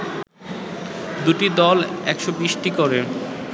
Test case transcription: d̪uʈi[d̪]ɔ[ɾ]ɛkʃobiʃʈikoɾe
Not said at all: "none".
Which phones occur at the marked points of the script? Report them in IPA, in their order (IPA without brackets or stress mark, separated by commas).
d̪, l